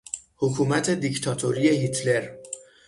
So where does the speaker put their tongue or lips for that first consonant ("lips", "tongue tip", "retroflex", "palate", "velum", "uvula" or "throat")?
throat